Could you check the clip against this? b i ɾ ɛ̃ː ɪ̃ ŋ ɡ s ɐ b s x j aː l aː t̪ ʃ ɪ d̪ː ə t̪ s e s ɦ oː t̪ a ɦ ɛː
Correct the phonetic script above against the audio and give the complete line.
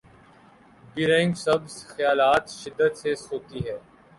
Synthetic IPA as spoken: b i ɾ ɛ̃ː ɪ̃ ŋ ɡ s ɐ b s x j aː l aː t̪ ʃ ɪ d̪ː ə t̪ s e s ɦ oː t̪ i ɦ ɛː